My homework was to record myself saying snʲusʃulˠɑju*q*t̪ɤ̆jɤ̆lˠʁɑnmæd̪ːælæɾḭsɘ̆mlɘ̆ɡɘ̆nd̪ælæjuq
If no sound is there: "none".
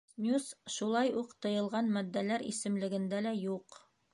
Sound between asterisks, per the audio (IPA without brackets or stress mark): q